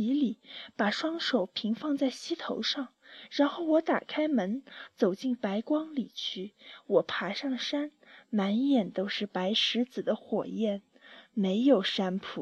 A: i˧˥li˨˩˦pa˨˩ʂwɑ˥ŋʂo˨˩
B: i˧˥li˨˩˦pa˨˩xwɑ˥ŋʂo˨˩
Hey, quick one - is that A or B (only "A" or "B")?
A